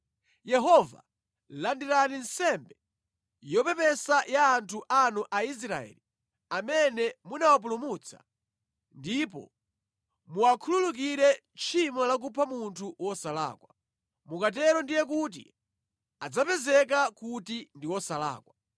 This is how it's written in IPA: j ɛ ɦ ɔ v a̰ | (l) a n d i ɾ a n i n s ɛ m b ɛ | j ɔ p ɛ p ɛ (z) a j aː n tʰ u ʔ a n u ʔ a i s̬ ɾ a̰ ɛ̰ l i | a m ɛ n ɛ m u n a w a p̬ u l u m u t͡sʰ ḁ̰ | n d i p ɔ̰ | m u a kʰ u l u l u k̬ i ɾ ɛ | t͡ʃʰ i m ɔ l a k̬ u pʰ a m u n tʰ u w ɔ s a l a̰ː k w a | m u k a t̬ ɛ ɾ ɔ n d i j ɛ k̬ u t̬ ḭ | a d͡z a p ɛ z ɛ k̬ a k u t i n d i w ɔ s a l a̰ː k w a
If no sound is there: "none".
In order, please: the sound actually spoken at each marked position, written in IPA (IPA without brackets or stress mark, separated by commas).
l, s